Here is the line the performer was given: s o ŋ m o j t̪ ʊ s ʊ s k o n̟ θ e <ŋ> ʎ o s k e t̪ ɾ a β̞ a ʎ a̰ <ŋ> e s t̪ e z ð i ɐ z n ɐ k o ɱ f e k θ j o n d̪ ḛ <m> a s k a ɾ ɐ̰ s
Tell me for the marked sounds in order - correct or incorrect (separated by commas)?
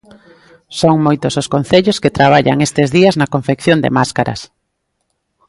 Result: incorrect, correct, correct